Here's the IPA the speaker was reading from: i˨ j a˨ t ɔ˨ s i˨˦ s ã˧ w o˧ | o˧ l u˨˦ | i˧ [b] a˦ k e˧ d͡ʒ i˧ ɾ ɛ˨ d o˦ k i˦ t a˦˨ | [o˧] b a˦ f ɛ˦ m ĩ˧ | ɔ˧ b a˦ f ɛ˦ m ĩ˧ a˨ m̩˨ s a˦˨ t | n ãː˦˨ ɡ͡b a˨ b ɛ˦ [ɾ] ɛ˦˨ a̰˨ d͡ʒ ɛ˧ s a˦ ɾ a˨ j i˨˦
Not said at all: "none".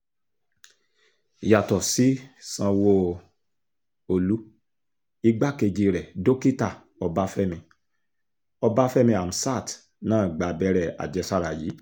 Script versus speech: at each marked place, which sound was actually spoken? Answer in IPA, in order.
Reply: ɡ͡b, ɔ˧, ɾ

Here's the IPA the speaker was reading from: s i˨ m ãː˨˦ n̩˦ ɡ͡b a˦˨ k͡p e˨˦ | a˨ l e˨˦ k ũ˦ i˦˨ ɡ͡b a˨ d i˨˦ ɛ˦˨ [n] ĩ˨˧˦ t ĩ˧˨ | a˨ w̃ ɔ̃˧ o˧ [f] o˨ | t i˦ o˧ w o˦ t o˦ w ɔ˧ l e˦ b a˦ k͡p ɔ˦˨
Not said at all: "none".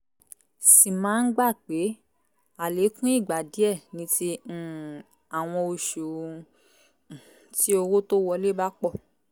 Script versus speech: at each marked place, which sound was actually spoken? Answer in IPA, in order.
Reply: n, ʃ

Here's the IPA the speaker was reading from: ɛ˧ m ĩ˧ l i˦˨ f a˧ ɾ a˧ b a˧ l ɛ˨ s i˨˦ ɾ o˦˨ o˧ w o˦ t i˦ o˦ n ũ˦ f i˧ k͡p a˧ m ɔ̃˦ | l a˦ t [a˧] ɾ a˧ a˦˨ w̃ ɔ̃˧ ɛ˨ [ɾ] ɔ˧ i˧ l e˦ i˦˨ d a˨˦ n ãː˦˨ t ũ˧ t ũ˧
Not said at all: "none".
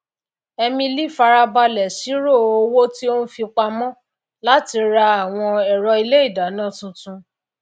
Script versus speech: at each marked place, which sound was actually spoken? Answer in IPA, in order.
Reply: i˧, ɾ

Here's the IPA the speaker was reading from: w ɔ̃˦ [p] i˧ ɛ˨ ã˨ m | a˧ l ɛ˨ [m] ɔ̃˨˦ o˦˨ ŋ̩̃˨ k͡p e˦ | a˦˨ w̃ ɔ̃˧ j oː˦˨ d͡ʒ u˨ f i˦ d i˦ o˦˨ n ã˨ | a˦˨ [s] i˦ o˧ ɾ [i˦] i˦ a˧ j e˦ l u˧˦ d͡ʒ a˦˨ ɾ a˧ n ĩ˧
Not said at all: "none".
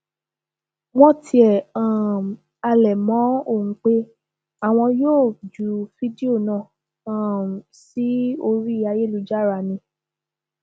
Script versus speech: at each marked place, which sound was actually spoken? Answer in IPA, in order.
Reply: t, m, s, i˦

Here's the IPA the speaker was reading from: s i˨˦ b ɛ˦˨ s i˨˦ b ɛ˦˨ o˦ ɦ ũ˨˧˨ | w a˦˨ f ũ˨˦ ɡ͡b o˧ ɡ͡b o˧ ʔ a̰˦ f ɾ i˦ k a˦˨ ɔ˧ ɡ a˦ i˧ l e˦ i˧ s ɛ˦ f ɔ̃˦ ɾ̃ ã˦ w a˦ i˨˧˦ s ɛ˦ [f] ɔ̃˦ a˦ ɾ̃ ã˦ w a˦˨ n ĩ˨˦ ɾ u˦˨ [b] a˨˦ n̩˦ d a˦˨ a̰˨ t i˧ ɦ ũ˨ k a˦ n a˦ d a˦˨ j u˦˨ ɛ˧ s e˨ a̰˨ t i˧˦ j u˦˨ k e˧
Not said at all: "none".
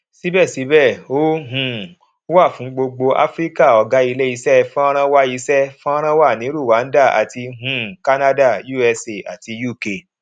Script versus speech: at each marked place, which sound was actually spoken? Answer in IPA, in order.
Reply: f, w

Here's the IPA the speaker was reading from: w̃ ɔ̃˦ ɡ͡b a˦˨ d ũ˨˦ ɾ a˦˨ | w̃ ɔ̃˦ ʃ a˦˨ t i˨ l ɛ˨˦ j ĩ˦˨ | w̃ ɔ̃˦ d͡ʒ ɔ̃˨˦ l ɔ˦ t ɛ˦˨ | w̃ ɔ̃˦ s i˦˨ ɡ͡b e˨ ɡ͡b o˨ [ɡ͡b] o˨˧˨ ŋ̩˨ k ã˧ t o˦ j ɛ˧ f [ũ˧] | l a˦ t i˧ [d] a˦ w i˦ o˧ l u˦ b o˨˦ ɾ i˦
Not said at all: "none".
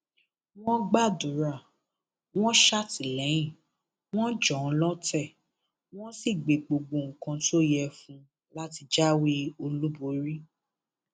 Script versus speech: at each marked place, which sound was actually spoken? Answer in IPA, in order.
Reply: ɡ͡b, ũ˧, d͡ʒ

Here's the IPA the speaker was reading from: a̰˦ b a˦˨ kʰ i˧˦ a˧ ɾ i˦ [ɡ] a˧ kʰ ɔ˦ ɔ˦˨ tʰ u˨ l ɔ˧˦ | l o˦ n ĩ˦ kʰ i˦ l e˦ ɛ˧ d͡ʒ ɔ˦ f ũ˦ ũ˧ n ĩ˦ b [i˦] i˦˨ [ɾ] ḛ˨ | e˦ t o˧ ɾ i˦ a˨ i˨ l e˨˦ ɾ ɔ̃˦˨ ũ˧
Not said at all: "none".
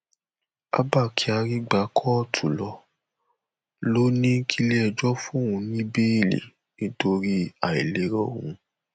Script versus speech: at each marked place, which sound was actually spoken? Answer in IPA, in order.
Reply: ɡ͡b, e˦, l

